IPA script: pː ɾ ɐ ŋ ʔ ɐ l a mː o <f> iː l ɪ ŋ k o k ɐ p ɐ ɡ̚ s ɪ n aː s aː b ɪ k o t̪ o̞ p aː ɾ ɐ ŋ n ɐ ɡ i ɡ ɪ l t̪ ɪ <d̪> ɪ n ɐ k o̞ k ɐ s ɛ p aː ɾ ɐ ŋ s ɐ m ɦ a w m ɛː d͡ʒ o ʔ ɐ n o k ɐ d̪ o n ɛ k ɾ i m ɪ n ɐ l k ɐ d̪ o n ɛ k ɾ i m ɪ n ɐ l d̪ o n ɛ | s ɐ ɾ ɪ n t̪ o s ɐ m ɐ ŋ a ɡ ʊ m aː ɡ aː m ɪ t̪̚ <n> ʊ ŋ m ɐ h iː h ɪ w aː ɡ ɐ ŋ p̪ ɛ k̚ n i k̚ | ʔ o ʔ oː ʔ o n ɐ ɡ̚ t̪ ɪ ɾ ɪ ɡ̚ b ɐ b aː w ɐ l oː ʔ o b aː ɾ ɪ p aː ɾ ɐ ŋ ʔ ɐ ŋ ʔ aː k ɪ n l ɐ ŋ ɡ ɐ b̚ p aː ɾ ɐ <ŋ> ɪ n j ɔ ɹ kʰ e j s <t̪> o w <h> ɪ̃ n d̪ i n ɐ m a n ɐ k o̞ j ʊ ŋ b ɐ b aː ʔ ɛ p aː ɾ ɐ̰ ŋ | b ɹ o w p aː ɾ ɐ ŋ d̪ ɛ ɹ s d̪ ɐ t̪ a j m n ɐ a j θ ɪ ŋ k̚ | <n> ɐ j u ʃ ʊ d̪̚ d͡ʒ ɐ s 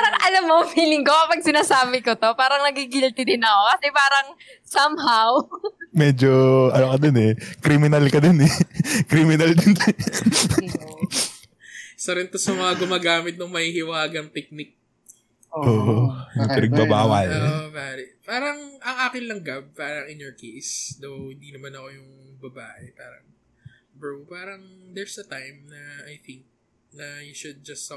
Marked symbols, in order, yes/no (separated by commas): yes, yes, yes, yes, no, yes, yes